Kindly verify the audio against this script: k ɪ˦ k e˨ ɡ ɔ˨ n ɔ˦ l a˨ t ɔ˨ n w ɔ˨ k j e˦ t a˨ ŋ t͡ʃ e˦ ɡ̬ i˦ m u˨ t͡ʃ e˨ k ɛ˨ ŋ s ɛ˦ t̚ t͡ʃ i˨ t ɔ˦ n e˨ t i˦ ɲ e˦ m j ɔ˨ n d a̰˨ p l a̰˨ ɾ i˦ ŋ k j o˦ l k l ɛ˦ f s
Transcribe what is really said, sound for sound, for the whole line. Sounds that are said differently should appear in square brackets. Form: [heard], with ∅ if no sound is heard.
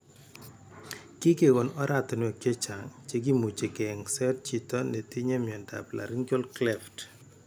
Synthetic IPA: k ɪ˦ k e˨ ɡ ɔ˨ n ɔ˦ [ɾ] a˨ t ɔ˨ n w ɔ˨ k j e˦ [t͡ʃ] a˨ ŋ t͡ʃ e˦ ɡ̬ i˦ m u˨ t͡ʃ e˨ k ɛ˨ ŋ s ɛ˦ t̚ t͡ʃ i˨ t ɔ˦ n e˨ t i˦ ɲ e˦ m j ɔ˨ n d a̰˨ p l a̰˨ ɾ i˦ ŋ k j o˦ l k l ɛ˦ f [t]